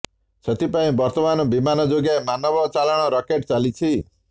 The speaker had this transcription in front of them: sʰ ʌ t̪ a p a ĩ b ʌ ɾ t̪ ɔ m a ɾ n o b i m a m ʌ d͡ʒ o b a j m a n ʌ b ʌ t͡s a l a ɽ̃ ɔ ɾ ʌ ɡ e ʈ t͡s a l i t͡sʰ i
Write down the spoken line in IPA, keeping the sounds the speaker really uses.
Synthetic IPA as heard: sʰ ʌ t̪ i p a ĩ b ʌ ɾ t̪ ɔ m a n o b i m a n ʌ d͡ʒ o ɡ a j m a n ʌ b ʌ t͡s a l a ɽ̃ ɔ ɾ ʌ k e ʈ t͡s a l i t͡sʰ i